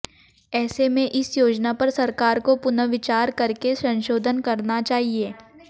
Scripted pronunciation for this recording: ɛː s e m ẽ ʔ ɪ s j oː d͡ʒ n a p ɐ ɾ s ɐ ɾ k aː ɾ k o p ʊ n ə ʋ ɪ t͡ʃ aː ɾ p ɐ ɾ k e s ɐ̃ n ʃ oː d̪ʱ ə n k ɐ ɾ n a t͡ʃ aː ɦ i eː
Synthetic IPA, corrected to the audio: ɛː s e m ẽ ʔ ɪ s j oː d͡ʒ n a p ɐ ɾ s ɐ ɾ k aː ɾ k o p ʊ n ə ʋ ɪ t͡ʃ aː ɾ k ɐ ɾ k e s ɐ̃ n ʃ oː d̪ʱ ə n k ɐ ɾ n a t͡ʃ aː ɦ i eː